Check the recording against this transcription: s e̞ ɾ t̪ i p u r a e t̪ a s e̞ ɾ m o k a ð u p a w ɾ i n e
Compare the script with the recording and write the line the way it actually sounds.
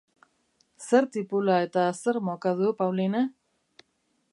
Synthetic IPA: s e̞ ɾ t̪ i p u l a e t̪ a s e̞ ɾ m o k a ð u p a w l i n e